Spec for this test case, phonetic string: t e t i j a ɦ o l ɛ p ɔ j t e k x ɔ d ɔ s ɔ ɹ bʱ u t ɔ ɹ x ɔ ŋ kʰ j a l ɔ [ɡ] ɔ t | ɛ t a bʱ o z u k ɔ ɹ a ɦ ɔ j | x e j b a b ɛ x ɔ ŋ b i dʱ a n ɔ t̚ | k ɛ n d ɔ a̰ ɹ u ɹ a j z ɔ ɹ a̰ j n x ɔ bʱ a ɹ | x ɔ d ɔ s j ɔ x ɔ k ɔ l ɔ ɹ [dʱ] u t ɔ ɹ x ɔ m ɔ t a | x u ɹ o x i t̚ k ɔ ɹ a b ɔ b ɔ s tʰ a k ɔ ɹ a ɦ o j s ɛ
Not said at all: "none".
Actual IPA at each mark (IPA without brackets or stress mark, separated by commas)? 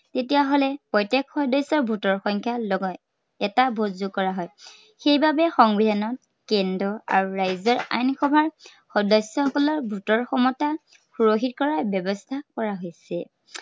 ɡ, bʱ